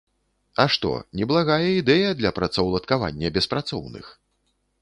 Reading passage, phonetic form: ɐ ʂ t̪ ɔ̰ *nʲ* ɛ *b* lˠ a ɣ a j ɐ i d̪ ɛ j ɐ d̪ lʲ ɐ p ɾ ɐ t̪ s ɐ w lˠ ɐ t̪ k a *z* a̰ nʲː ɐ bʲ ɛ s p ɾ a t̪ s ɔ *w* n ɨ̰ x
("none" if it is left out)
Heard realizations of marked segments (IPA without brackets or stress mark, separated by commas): nʲ, b, v, w